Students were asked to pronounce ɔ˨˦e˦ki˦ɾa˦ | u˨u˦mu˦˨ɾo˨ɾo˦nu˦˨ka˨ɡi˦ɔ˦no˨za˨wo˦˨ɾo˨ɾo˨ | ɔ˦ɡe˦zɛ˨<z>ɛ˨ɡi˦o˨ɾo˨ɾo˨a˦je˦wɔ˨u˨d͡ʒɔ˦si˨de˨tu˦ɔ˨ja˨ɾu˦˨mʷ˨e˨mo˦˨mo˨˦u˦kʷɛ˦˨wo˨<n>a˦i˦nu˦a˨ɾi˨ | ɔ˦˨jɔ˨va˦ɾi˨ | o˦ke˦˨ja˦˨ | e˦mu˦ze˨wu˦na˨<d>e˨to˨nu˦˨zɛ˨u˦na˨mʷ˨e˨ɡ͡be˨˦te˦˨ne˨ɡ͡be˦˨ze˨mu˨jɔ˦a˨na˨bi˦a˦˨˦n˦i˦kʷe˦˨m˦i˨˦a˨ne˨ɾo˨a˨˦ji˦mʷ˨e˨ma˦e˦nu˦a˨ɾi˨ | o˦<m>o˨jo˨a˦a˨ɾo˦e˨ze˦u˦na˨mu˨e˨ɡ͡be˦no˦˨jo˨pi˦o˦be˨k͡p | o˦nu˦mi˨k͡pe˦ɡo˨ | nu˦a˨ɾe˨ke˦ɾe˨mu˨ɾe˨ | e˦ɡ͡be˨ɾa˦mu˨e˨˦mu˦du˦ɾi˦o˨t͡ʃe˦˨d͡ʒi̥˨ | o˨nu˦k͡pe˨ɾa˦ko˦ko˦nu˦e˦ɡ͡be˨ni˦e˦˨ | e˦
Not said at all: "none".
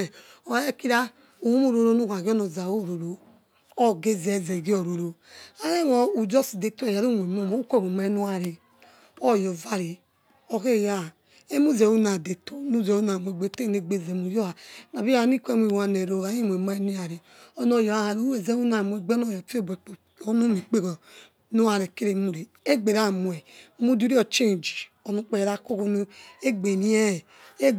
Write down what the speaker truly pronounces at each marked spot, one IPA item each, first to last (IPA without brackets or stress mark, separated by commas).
z, m, d, n